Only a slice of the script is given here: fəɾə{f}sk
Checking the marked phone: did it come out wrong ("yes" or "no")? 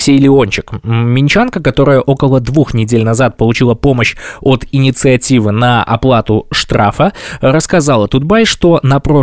yes